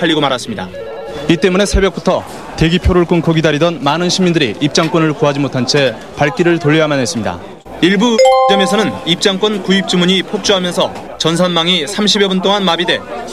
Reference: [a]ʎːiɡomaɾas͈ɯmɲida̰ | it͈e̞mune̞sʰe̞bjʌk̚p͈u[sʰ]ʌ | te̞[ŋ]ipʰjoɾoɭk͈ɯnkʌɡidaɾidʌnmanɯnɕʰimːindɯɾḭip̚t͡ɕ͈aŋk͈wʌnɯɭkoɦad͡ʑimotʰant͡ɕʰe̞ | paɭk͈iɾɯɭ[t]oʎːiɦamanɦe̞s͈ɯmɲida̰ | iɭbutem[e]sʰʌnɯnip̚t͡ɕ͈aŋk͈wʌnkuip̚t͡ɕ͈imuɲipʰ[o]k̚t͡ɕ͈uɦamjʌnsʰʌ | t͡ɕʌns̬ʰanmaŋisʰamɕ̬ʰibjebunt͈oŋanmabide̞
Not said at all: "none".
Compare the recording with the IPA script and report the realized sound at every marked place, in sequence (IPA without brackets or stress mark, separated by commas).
a, tʰ, ɡ, t, e, o